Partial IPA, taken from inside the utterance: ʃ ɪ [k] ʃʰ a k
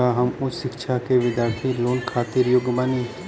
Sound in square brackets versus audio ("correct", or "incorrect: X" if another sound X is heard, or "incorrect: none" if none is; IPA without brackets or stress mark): correct